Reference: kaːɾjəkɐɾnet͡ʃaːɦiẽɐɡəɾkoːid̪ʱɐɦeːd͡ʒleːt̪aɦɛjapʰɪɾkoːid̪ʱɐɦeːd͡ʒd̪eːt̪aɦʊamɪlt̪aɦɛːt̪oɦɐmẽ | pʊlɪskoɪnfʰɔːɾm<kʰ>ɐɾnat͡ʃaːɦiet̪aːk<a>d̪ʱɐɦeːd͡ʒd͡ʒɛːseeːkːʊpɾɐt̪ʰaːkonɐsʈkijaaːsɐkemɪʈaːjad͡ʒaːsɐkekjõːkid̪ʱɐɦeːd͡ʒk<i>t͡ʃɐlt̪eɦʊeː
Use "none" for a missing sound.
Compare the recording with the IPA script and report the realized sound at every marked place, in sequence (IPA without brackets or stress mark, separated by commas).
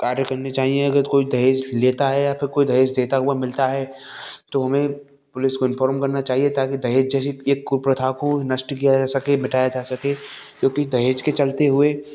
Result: k, i, e